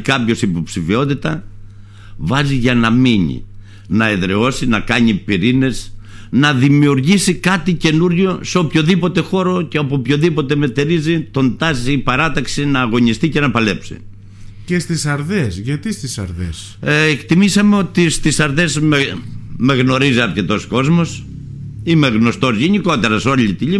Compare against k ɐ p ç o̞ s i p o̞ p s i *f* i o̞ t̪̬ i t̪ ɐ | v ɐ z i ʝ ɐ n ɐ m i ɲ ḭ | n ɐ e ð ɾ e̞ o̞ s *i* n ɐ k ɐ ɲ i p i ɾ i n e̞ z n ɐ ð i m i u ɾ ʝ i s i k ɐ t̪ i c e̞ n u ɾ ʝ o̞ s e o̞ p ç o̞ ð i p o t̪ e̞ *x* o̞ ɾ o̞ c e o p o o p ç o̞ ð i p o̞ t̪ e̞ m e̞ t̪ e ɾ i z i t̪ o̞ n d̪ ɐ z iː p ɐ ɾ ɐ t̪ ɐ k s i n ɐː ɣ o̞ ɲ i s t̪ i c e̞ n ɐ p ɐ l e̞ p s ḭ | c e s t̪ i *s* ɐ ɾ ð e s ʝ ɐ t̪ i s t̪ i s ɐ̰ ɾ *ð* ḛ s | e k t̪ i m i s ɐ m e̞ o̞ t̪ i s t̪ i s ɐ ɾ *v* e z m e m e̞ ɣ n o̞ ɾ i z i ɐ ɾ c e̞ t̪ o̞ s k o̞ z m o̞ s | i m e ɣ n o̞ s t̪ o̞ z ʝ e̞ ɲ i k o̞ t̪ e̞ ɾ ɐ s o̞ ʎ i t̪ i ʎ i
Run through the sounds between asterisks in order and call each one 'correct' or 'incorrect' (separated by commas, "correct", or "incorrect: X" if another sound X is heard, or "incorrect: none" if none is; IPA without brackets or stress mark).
correct, correct, correct, correct, correct, incorrect: ð